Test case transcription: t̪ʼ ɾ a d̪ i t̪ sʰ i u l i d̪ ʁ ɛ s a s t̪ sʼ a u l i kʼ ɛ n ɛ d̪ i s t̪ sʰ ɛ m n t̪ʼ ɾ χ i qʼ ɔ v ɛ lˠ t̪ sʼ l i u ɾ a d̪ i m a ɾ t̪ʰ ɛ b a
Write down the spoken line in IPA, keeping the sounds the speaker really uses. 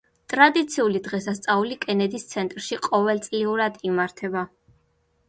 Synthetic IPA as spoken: t̪ʼ ɾ a d̪ i t̪ sʰ i u l i d̪ ʁ ɛ s a s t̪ sʼ a u l i kʼ ɛ n ɛ d̪ i s t̪ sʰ ɛ n t̪ʼ ɾ ʃ i qʼ ɔ v ɛ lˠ t̪ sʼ l i u ɾ a d̪ i m a ɾ t̪ʰ ɛ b a